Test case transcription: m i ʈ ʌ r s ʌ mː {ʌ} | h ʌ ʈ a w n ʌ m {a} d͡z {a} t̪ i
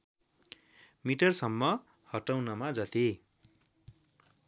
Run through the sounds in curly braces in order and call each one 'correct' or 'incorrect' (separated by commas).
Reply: correct, correct, incorrect